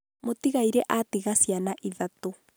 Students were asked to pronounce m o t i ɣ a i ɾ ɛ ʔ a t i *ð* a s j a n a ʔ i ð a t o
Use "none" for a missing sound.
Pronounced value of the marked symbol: ɣ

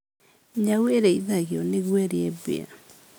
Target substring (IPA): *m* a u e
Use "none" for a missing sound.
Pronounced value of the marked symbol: ɲ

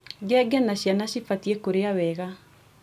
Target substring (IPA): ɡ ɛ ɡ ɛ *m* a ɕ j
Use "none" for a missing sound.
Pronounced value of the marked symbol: n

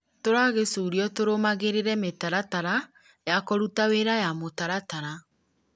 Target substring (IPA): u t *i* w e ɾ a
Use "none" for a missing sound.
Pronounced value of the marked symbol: a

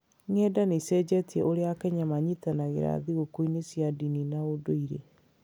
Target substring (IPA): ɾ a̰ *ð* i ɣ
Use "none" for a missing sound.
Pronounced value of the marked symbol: ð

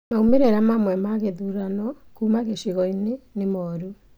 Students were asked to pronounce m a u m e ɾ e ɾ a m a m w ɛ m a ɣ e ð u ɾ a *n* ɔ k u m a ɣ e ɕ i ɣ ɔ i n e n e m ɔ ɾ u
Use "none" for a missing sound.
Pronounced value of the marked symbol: n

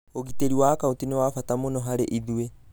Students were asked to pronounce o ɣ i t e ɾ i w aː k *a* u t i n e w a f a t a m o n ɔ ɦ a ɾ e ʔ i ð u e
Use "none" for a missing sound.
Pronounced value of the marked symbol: a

